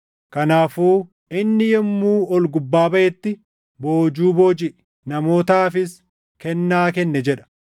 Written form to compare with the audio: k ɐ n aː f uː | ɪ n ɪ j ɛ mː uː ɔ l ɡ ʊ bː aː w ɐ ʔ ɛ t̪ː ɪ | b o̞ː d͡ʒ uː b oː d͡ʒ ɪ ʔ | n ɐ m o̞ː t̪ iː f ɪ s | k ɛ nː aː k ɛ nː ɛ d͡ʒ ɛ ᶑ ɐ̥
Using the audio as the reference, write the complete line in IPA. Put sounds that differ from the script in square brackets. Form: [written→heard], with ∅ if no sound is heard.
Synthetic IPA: k ɐ n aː f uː | ɪ [n→nː] ɪ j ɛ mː uː ɔ l ɡ ʊ bː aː [w→b] ɐ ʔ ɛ t̪ː ɪ | b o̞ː d͡ʒ uː b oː d͡ʒ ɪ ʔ | n ɐ m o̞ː t̪ [iː→aː] f ɪ s | k ɛ nː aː k ɛ nː ɛ d͡ʒ ɛ ᶑ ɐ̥